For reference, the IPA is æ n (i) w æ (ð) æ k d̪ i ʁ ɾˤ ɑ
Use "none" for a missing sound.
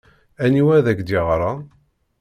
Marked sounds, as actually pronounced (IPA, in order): i, ð

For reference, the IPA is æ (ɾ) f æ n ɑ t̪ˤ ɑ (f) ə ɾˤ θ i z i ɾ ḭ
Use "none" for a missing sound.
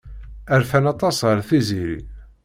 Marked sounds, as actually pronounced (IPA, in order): ɾ, s

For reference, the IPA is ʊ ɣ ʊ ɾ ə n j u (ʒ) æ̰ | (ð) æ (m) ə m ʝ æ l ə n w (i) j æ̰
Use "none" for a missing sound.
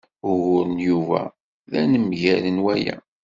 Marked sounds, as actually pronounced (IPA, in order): v, ð, n, æ

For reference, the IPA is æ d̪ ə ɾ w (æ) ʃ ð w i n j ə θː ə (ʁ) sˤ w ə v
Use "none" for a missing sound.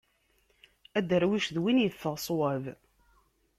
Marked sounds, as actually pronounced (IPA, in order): i, ʁ

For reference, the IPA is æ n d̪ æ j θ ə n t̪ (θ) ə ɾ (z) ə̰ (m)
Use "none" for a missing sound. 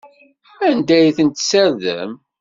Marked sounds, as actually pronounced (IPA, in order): s, ð, m

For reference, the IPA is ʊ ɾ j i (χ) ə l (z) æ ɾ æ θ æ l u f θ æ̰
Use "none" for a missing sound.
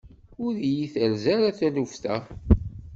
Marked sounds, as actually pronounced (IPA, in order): θ, z

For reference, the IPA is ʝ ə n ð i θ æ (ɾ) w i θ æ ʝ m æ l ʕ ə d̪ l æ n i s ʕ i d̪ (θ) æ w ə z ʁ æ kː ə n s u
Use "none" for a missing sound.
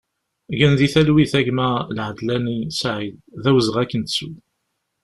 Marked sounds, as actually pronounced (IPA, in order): l, ð

